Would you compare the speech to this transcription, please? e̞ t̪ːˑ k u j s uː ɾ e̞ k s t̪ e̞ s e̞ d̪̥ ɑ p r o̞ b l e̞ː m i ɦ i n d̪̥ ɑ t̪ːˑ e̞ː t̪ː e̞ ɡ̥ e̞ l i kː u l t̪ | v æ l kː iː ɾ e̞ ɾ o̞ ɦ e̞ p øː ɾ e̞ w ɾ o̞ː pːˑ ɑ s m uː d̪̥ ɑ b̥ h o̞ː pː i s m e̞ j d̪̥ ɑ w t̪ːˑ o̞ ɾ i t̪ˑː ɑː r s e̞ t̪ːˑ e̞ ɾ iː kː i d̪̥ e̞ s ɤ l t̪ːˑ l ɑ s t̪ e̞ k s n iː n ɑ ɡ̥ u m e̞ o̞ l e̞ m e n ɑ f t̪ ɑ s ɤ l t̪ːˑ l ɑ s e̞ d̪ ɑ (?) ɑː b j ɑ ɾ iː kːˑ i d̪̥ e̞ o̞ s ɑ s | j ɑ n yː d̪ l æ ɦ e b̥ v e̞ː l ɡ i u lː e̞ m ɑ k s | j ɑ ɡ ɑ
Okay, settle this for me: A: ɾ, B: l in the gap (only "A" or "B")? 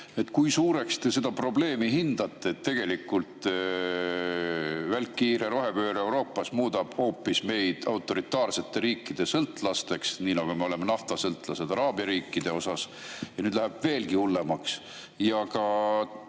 A